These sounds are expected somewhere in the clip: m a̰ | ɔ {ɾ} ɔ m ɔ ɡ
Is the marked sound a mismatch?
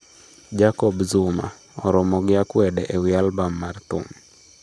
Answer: no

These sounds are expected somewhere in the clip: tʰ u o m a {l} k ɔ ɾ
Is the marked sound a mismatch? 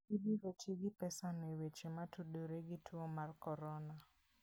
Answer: yes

